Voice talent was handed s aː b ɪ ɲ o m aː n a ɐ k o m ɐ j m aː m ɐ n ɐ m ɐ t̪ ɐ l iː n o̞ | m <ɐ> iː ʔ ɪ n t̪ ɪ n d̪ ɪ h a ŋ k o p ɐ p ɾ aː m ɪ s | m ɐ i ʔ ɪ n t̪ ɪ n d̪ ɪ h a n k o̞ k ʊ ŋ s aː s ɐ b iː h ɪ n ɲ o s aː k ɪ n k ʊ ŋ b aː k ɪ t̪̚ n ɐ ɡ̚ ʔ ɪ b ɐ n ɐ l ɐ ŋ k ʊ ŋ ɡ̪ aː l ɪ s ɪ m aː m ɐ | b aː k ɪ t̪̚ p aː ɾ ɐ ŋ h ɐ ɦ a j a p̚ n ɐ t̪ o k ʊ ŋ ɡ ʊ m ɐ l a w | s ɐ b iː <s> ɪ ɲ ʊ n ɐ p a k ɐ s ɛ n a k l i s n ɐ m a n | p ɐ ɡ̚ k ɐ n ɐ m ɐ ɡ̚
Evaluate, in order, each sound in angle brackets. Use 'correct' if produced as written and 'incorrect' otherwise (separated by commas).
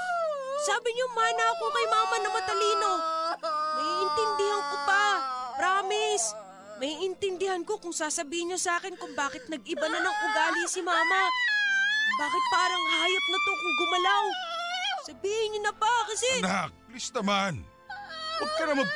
correct, incorrect